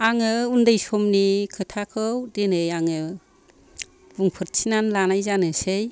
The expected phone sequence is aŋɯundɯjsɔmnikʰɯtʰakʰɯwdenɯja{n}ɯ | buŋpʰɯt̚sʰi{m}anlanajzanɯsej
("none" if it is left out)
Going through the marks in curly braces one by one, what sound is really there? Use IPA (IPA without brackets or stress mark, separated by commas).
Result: ŋ, n